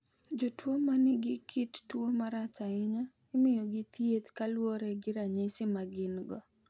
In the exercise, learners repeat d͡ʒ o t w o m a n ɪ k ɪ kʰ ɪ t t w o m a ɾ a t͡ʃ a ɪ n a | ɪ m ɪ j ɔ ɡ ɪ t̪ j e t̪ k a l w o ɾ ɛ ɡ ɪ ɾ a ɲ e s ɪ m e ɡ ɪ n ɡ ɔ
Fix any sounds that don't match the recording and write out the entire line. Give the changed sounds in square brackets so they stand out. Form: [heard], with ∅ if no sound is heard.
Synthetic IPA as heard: d͡ʒ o t w o m a n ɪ [ɡ] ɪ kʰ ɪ t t w o m a ɾ a t͡ʃ a ɪ [ɲ] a | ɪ m ɪ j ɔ ɡ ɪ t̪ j e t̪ k a l w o ɾ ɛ ɡ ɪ ɾ a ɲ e s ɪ m [a] ɡ ɪ n ɡ ɔ